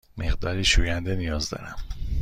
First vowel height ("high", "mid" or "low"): mid